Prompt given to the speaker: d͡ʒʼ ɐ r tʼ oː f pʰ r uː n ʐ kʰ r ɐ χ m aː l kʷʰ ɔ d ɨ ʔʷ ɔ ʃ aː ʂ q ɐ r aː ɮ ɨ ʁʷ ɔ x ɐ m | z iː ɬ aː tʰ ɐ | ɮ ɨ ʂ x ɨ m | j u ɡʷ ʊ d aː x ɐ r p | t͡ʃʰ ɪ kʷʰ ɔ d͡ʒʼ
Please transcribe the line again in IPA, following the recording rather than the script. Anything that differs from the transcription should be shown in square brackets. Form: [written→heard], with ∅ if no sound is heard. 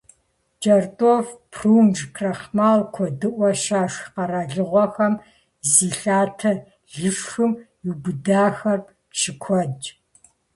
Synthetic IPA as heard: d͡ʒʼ ɐ r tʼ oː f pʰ r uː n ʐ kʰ r ɐ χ m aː l kʷʰ ɔ d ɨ ʔʷ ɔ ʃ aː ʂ q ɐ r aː ɮ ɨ ʁʷ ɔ x ɐ m | z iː ɬ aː tʰ ɐ | ɮ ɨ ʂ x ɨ m | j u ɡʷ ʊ d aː x ɐ r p | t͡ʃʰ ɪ kʷʰ ɔ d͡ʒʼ